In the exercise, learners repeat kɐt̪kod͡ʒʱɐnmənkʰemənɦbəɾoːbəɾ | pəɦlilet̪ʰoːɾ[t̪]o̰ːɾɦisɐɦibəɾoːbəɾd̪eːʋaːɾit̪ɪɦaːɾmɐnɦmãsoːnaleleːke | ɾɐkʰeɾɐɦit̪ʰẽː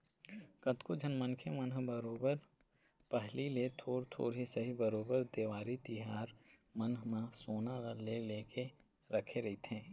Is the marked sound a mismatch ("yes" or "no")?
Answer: yes